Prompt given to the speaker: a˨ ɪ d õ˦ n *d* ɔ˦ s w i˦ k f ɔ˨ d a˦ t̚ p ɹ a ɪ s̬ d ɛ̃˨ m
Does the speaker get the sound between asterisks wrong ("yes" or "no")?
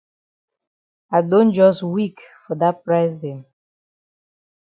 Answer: yes